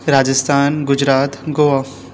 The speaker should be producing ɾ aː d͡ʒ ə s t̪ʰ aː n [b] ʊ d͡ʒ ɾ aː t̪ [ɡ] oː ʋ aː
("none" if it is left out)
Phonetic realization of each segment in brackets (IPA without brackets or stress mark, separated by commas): ɡ, ɡ